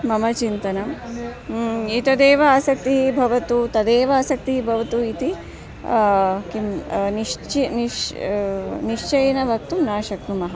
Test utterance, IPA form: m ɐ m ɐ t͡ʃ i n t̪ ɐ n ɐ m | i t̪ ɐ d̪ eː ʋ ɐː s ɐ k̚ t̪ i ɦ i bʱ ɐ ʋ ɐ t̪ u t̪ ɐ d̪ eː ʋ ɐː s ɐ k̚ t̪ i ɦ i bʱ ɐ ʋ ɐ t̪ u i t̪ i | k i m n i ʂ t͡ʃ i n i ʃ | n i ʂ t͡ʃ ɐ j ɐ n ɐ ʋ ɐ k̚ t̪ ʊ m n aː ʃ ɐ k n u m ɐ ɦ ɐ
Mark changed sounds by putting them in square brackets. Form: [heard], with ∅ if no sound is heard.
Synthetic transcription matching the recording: m ɐ m ɐ t͡ʃ i n t̪ ɐ n ɐ m | i t̪ ɐ d̪ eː ʋ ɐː s ɐ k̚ t̪ i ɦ i bʱ ɐ ʋ ɐ t̪ u t̪ ɐ d̪ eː ʋ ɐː s ɐ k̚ t̪ i ɦ i bʱ ɐ ʋ ɐ t̪ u i t̪ i | k i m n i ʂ t͡ʃ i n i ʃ | n i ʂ t͡ʃ ɐ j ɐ n ɐ ʋ ɐ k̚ t̪ [u] m n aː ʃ ɐ k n u m ɐ ɦ ɐ